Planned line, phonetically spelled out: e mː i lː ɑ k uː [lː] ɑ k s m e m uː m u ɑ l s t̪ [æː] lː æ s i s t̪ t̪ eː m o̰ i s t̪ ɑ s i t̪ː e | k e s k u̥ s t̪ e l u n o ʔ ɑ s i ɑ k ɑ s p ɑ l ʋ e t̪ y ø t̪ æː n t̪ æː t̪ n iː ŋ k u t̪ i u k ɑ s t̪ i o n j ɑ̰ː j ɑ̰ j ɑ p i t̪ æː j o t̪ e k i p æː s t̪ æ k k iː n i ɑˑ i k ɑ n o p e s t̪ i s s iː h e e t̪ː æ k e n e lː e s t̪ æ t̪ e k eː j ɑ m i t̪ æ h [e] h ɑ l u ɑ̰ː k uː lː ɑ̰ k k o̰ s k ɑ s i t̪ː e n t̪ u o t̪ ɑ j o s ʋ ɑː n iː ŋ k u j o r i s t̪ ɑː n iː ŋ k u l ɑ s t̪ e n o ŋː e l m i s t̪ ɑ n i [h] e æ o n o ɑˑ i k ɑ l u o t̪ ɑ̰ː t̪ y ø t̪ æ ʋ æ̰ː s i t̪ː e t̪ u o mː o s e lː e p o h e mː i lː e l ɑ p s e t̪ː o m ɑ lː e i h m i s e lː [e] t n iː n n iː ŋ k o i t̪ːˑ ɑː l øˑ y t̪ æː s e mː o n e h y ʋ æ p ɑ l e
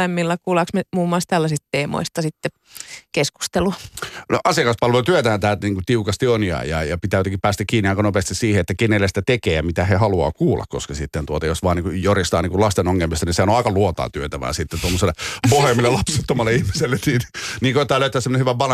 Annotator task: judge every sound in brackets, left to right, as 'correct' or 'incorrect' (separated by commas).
incorrect, incorrect, correct, incorrect, correct